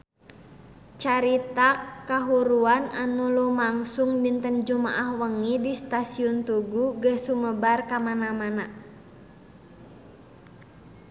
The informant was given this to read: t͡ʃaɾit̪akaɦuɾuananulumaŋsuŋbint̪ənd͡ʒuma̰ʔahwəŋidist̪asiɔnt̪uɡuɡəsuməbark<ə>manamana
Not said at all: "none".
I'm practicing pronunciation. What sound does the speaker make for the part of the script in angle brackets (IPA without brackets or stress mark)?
a